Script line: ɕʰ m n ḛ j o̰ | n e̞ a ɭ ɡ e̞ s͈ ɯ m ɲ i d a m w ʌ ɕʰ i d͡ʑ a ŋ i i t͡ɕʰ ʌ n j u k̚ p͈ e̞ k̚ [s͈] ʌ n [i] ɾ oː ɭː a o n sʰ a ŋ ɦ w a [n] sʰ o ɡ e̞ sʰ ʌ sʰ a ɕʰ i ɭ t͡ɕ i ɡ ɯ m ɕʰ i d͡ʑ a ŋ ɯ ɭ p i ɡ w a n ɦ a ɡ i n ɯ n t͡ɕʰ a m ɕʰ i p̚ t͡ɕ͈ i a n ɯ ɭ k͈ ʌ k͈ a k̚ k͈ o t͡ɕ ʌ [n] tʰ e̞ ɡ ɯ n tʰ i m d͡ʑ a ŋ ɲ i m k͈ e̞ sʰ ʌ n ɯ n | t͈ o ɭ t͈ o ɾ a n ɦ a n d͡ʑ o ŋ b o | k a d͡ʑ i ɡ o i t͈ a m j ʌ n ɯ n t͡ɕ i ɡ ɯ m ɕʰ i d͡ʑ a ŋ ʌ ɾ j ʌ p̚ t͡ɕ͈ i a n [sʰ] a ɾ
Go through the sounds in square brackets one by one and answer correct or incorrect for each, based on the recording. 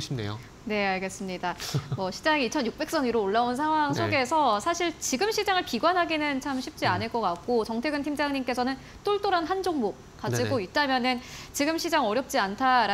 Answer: correct, correct, incorrect: ŋ, incorrect: ŋ, incorrect: tʰ

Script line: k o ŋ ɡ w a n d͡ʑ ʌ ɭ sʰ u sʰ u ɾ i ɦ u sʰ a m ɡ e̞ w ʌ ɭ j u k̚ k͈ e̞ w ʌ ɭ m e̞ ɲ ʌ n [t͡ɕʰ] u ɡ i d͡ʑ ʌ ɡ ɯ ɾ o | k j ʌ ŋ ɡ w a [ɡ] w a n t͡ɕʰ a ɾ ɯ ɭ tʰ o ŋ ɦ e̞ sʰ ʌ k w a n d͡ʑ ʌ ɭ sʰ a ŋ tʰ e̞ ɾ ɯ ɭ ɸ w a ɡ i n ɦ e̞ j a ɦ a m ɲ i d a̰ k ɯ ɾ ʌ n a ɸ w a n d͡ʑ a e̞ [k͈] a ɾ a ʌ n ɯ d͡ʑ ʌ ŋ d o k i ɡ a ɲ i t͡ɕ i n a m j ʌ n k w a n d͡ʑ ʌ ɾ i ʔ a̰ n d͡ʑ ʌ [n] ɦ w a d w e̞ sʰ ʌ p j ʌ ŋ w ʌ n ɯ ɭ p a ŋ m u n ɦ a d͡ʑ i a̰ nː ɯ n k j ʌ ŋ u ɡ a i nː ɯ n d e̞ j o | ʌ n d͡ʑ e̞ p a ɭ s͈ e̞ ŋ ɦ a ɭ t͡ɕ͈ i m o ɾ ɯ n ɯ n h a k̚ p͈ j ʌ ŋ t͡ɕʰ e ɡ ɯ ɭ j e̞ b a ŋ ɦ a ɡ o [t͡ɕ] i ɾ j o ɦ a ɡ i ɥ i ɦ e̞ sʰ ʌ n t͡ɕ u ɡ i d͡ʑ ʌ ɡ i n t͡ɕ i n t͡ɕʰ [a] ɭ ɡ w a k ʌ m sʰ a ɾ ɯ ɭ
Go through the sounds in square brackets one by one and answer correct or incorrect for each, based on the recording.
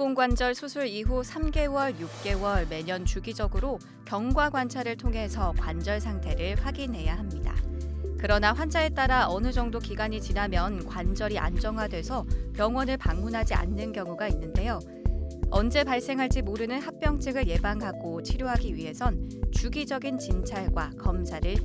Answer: incorrect: t͡ɕ, correct, incorrect: t͈, incorrect: ŋ, incorrect: t͡ɕʰ, correct

